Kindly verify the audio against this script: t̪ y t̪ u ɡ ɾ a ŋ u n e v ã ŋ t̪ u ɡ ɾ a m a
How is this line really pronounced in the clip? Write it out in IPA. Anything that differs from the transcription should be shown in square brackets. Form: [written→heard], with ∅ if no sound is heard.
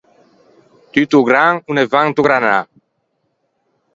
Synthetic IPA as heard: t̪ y t̪ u ɡ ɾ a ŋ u n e v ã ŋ t̪ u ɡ ɾ a [m→n] a